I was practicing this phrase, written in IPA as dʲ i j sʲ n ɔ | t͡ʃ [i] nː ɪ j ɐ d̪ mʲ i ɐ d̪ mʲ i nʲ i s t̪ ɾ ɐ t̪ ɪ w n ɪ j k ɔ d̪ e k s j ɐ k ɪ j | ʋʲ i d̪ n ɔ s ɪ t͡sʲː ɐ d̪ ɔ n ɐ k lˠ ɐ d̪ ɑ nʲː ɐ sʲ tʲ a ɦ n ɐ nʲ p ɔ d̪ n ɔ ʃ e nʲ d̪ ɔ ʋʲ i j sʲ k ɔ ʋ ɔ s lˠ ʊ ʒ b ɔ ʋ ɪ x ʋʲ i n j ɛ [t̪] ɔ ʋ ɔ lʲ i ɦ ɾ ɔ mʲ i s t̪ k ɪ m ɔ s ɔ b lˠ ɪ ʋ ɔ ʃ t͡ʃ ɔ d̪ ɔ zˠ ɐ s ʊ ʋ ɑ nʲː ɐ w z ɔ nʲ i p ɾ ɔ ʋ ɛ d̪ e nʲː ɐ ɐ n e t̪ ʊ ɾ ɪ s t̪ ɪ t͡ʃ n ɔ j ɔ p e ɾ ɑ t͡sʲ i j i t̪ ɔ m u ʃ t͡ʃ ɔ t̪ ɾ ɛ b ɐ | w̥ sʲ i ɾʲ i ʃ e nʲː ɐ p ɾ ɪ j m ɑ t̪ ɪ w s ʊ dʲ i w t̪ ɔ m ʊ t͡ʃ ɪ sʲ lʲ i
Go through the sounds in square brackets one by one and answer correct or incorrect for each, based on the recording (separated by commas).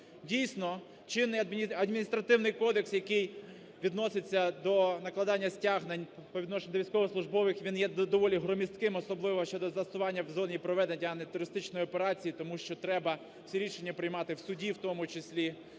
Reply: incorrect, incorrect